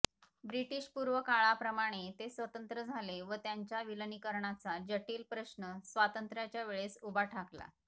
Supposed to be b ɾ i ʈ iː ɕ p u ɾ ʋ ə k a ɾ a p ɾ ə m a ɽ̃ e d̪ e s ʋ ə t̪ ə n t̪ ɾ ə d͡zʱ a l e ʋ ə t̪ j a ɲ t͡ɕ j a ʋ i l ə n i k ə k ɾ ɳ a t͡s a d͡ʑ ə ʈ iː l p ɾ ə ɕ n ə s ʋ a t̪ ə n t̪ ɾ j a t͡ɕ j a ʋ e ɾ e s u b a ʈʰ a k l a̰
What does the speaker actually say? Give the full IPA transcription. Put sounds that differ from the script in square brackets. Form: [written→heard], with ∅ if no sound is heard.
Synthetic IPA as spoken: b ɾ i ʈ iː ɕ p u ɾ ʋ ə k a [ɾ→ɭ] a p ɾ ə m a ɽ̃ e [d̪→t̪] e s ʋ ə t̪ ə n t̪ ɾ ə d͡zʱ a l e ʋ ə t̪ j a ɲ t͡ɕ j a ʋ i l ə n i k ə [k→∅] ɾ ɳ a t͡s a d͡ʑ ə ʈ iː l p ɾ ə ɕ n ə s ʋ a t̪ ə n t̪ ɾ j a t͡ɕ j a ʋ e [ɾ→ɭ] e s u b a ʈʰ a k l a̰